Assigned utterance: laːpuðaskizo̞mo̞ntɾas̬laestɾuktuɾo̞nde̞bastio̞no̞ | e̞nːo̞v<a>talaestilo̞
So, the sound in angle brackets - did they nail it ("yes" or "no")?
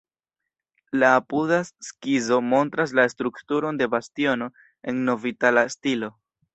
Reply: no